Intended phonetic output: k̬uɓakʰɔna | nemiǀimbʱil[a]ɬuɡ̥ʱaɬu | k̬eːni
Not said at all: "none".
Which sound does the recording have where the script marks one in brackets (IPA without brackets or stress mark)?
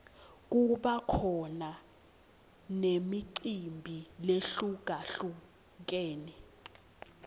e